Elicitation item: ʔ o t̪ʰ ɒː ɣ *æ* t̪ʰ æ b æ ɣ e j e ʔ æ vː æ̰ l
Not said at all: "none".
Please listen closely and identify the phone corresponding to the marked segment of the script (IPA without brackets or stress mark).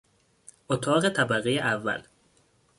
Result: e